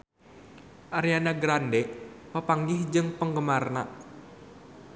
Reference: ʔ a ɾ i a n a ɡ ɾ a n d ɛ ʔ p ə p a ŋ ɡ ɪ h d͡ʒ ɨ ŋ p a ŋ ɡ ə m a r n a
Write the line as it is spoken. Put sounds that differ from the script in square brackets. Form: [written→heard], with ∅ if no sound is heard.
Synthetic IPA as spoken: ʔ a ɾ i a n a ɡ ɾ a n d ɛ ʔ p ə p a ŋ ɡ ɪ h d͡ʒ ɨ ŋ p [a→ə] ŋ ɡ ə m a r n a